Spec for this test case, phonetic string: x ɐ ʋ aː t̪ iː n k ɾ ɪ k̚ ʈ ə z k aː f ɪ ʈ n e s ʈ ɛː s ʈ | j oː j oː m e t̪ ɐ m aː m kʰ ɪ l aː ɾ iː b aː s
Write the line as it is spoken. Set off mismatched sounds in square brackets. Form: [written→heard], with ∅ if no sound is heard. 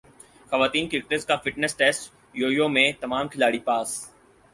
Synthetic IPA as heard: x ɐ ʋ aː t̪ iː n k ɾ ɪ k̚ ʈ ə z k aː f ɪ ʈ n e s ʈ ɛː s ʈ | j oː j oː m [e→ẽ] t̪ ɐ m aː m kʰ ɪ l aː [ɾ→ɽ] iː [b→p] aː s

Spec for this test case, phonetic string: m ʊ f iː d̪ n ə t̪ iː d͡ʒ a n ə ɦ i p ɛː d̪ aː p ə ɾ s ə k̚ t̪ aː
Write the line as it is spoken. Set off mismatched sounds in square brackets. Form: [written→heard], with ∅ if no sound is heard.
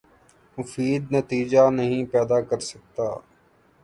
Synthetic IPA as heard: m ʊ f iː d̪ n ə t̪ iː d͡ʒ a n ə ɦ [i→ĩ] p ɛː d̪ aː [p→k] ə ɾ s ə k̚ t̪ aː

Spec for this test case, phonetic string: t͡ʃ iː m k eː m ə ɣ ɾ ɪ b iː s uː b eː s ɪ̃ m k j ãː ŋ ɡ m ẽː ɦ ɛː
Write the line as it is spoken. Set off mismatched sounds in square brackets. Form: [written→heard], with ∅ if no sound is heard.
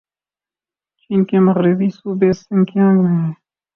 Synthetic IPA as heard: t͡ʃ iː [m→n] k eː m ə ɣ ɾ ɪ b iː s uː b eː s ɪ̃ [m→ŋ] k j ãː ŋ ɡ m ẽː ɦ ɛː

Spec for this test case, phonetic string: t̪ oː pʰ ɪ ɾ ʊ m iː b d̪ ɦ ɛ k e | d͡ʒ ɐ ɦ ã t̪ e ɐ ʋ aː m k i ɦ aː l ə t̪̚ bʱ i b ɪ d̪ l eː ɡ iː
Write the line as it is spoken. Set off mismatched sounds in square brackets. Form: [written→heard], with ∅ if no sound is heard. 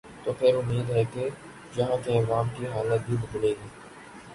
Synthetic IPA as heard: t̪ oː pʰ ɪ ɾ ʊ m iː [b→∅] d̪ ɦ ɛ k e | d͡ʒ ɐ ɦ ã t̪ e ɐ ʋ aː m k i ɦ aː l ə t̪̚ bʱ i b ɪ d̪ l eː ɡ iː

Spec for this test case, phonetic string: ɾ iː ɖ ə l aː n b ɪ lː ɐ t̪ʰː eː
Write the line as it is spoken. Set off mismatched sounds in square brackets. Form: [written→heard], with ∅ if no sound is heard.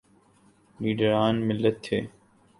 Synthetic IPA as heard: [ɾ→l] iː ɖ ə [l→ɾ] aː n [b→m] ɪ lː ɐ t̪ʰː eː

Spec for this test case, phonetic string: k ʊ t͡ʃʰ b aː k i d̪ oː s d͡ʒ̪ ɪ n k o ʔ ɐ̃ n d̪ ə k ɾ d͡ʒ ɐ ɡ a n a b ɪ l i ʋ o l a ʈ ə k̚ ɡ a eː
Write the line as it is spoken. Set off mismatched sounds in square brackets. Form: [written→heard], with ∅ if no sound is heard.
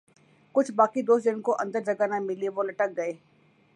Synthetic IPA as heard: k ʊ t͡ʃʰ b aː k i d̪ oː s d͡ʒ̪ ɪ n k o ʔ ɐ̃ n d̪ ə [k→∅] ɾ d͡ʒ ɐ ɡ a n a [b→m] ɪ l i ʋ o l [a→ɐ] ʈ ə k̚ ɡ [a→ɐ] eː

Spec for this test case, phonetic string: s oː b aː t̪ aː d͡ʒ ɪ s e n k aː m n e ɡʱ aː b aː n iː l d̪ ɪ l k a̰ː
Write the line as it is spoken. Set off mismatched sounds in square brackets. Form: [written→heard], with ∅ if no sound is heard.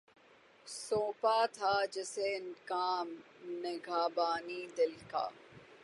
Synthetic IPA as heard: s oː [b→p] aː [t̪→t̪ʰ] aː d͡ʒ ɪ s e n k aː m n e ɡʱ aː b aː n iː [l→∅] d̪ ɪ l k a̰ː

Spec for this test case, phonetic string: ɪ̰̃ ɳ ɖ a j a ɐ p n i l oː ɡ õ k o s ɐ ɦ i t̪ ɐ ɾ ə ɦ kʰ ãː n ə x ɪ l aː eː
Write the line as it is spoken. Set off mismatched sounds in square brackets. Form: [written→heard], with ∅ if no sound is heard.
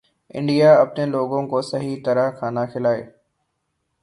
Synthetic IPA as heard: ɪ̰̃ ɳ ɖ [a→i] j a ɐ p n [i→e] l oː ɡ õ k o s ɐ ɦ i t̪ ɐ ɾ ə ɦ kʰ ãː n [ə→a] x ɪ l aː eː

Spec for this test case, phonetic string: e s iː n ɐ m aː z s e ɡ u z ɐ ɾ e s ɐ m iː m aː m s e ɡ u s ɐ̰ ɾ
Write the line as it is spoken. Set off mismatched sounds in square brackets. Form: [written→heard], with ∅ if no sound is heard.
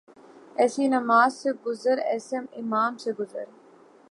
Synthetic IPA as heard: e s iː n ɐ m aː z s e ɡ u z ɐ ɾ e s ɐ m [iː→i] m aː m s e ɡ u [s→z] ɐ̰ ɾ

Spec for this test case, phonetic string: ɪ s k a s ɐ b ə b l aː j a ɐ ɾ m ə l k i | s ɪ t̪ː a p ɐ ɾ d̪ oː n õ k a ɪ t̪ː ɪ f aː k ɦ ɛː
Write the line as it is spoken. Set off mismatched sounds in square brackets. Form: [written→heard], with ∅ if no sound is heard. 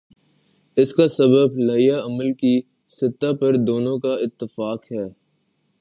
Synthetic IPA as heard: ɪ s k a s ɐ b ə b l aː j a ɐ [ɾ→∅] m ə l k i | s ɪ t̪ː a p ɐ ɾ d̪ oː n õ k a ɪ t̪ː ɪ f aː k ɦ ɛː

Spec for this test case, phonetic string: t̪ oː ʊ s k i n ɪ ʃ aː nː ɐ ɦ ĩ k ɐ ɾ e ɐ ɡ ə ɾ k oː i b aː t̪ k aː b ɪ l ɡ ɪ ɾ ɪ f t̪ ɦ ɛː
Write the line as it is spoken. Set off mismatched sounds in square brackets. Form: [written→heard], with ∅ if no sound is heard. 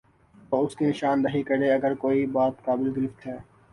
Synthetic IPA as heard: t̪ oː ʊ s k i n ɪ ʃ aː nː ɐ ɦ [ĩ→i] k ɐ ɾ e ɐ ɡ ə ɾ k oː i b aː t̪ k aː b ɪ l ɡ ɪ ɾ ɪ f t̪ ɦ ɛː

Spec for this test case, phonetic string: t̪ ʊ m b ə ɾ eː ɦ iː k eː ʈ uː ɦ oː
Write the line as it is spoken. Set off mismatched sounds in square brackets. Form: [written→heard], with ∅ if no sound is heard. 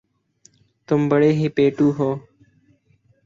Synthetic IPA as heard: t̪ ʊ m b ə [ɾ→ɽ] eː ɦ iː [k→p] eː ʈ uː ɦ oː

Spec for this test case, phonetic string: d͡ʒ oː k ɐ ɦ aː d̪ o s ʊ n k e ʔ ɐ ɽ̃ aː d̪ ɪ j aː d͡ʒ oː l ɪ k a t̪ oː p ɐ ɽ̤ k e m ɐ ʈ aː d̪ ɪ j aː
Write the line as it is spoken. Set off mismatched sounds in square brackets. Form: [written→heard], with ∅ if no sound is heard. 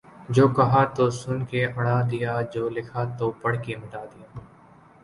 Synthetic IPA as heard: d͡ʒ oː k ɐ ɦ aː [d̪→t̪] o s ʊ n k e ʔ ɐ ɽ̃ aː d̪ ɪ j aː d͡ʒ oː l ɪ [k→kʰ] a t̪ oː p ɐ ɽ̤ k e m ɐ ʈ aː d̪ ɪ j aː

